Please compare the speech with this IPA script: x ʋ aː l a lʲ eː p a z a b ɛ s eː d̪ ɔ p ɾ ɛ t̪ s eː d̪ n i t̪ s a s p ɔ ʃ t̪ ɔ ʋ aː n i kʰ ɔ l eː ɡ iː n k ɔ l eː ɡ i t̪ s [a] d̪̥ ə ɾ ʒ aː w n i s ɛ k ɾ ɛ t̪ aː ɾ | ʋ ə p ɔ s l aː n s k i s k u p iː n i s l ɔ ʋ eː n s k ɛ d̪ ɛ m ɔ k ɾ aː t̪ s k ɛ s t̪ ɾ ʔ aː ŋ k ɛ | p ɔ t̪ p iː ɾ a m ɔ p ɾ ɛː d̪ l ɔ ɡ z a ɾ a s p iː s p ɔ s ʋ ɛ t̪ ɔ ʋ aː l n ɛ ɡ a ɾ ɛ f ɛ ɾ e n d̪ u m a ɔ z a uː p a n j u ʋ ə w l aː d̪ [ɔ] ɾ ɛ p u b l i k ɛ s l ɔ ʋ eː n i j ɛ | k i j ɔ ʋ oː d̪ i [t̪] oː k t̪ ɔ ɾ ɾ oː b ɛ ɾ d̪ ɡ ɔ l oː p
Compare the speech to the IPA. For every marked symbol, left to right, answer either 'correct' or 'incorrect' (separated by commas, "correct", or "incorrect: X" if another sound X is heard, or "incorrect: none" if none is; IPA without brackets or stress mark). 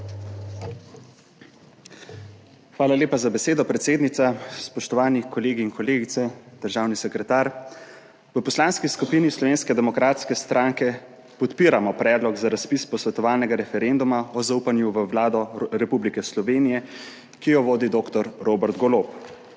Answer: incorrect: ɛ, correct, incorrect: d̪